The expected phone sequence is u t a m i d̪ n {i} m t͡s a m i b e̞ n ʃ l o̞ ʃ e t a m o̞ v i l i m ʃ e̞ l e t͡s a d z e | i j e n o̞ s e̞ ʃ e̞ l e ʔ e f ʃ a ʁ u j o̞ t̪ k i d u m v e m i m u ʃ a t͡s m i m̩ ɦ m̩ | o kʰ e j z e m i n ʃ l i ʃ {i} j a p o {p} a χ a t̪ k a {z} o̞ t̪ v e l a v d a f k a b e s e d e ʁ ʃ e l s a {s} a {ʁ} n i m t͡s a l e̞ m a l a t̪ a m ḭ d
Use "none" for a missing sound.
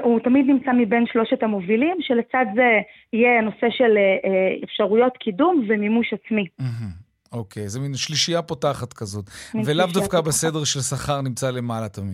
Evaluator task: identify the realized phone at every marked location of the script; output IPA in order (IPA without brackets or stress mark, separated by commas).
i, i, t, z, χ, ʁ